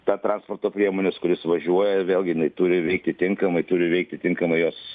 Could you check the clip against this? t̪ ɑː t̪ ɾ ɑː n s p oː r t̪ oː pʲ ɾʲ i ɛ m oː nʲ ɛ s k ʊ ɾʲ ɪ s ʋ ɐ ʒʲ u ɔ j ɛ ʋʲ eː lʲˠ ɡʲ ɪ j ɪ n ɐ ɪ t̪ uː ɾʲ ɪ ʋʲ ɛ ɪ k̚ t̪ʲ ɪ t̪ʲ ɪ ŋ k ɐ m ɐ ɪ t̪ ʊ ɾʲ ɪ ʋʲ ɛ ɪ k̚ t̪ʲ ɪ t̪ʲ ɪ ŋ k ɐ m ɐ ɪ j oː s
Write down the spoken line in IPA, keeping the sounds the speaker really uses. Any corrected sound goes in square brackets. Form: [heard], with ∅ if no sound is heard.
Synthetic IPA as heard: t̪ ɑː t̪ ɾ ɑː n s p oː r t̪ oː pʲ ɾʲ i ɛ m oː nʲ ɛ s k ʊ ɾʲ ɪ s ʋ ɐ ʒʲ u ɔ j ɛ ʋʲ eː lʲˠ ɡʲ ɪ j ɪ n ɐ ɪ t̪ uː ɾʲ ɪ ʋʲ ɛ ɪ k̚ t̪ʲ ɪ t̪ʲ ɪ ŋ k ɐ m ɐ ɪ t̪ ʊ ɾʲ ɪ ʋʲ ɛ ɪ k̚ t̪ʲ ɪ t̪ʲ ɪ ŋ k ɐ m ɐ ɪ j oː s

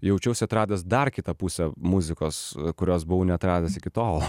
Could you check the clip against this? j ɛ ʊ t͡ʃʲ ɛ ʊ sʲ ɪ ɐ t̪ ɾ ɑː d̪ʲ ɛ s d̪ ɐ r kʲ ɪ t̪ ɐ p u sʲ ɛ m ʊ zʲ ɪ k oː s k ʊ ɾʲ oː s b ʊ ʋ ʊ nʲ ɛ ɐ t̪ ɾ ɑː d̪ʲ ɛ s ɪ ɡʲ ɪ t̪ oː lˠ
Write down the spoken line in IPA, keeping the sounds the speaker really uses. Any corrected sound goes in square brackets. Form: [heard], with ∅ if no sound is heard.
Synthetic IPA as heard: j ɛ ʊ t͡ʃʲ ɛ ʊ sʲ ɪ ɐ t̪ ɾ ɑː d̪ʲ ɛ s d̪ ɐ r kʲ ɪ t̪ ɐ p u sʲ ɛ m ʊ zʲ ɪ k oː s k ʊ ɾʲ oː s b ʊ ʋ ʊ nʲ ɛ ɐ t̪ ɾ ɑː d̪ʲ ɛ s ɪ [kʲ] ɪ t̪ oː lˠ

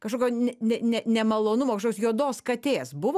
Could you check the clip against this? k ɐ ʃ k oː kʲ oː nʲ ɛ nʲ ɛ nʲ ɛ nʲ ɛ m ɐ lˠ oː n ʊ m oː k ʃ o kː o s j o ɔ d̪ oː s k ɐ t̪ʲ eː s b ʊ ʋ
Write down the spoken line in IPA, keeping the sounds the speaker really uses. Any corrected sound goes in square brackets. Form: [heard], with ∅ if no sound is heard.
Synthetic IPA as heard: k ɐ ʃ k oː kʲ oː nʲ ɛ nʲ ɛ nʲ ɛ nʲ ɛ m ɐ lˠ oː n ʊ m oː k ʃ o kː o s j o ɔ d̪ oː s k ɐ t̪ʲ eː s b ʊ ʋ

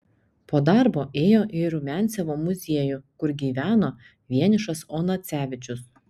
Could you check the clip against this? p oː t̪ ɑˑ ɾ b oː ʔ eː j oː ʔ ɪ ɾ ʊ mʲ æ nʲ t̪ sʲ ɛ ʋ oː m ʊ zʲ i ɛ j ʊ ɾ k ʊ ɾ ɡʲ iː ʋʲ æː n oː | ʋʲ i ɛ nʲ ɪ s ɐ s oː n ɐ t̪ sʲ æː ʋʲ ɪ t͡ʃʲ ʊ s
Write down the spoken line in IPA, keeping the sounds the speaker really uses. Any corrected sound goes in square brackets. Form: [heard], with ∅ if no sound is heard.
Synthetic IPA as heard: p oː [d̪] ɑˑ ɾ b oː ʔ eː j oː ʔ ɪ ɾ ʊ mʲ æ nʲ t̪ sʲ ɛ ʋ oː m ʊ zʲ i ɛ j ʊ [∅] k ʊ ɾ ɡʲ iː ʋʲ æː n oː | ʋʲ i ɛ nʲ ɪ [ʃ] ɐ s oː n ɐ t̪ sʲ æː ʋʲ ɪ t͡ʃʲ ʊ s

